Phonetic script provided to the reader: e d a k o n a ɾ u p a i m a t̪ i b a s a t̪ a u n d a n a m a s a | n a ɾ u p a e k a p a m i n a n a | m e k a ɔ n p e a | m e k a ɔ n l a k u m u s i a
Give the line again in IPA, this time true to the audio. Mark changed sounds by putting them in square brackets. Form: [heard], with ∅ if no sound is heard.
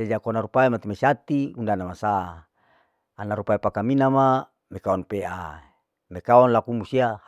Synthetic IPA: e [d͡ʒ] a k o n a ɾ u p a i m a t̪ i [m] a s a t̪ [i] u n d a n a m a s a | n a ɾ u p a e [p] a [k] a m i n a [m] a | m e k a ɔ n p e a | m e k a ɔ n l a k u m u s i a